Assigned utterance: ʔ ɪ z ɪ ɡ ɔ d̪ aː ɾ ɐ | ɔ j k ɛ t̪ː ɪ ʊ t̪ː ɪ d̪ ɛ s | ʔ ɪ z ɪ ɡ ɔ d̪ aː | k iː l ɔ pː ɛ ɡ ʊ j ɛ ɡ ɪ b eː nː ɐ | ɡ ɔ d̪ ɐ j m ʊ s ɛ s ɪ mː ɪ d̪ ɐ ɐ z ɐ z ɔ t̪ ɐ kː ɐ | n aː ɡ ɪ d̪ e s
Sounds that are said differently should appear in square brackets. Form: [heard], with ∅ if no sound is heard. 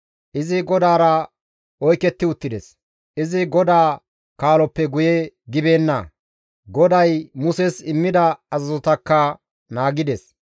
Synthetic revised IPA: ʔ ɪ z ɪ ɡ ɔ d̪ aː ɾ ɐ | ɔ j k ɛ t̪ː ɪ ʊ t̪ː ɪ d̪ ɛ s | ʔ ɪ z ɪ ɡ ɔ d̪ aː | k [aː] l ɔ pː ɛ ɡ ʊ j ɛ ɡ ɪ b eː nː ɐ | ɡ ɔ d̪ ɐ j m ʊ s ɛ s ɪ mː ɪ d̪ ɐ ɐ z ɐ z ɔ t̪ ɐ kː ɐ | n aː ɡ ɪ d̪ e s